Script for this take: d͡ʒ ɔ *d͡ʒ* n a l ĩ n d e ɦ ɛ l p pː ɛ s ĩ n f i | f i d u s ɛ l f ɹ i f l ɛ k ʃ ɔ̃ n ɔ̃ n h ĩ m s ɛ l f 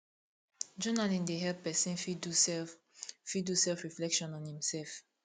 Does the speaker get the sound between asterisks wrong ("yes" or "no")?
yes